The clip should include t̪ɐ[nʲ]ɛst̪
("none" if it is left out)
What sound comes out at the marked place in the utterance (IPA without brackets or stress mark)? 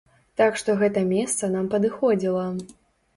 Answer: mʲ